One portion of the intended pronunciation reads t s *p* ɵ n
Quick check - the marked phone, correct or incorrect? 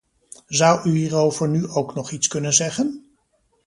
incorrect